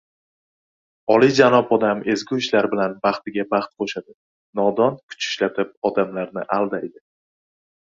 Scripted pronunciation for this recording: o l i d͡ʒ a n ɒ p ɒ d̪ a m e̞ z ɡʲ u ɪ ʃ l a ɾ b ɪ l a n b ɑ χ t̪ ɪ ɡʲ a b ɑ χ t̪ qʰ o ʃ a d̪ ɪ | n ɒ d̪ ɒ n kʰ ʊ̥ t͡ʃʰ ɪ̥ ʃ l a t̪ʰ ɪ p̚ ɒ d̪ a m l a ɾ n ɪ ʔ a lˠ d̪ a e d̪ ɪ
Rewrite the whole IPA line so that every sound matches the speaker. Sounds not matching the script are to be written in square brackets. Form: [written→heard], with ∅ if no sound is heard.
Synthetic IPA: [o→ɒ] l i d͡ʒ a n ɒ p ɒ d̪ a m e̞ z ɡʲ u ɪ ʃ l a ɾ b ɪ l a n b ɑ χ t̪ ɪ ɡʲ a b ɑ χ t̪ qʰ o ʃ a d̪ ɪ | n ɒ d̪ ɒ n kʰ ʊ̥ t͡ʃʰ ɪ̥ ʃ l a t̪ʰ ɪ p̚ ɒ d̪ a m l a ɾ n ɪ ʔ a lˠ d̪ a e d̪ ɪ